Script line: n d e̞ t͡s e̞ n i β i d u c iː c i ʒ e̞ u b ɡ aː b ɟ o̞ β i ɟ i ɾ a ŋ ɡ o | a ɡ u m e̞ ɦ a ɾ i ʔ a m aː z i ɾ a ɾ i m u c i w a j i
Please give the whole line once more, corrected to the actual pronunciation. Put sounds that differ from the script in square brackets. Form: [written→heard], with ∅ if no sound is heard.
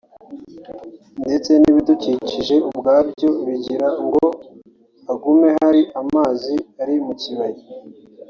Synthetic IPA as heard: n d e̞ t͡s e̞ n i β i d u c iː c i ʒ e̞ u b ɡ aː b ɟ o̞ β i ɟ i ɾ a ŋ ɡ o | a ɡ u m e̞ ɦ a ɾ i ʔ a m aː z i [ɾ→∅] a ɾ i m u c i [w→β] a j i